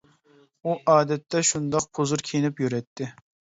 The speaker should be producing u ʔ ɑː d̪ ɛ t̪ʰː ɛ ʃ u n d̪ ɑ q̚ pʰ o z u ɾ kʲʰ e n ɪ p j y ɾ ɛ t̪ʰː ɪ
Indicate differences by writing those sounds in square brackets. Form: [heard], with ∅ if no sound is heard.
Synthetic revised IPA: u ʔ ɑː d̪ ɛ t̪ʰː ɛ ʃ u n d̪ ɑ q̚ pʰ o z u ɾ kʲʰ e n ɪ p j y ɾ ɛ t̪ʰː ɪ